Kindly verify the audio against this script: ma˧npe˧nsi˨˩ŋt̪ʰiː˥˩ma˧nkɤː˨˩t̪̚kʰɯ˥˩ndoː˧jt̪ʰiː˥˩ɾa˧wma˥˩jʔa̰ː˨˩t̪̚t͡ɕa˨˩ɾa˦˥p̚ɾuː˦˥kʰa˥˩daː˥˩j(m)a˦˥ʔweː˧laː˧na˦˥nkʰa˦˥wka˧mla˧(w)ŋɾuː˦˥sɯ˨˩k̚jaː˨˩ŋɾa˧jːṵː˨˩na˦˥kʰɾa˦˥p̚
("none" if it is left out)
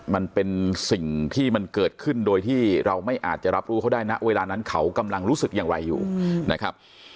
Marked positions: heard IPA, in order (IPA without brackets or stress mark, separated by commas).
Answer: n, none